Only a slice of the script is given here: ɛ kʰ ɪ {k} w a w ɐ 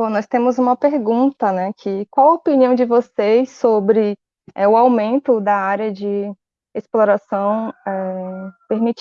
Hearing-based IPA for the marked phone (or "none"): k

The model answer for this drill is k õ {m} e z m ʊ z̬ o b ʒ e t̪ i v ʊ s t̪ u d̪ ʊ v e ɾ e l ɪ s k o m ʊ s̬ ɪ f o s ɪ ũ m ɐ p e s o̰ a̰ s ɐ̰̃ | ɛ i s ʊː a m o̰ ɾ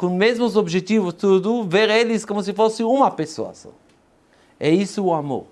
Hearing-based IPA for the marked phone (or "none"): m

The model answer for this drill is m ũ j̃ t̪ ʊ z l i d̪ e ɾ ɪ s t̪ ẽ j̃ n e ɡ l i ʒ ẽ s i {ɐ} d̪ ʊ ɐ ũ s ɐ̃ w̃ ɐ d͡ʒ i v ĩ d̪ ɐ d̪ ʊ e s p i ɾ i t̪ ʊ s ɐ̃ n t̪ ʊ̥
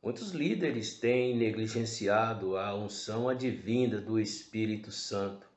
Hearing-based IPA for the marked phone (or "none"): a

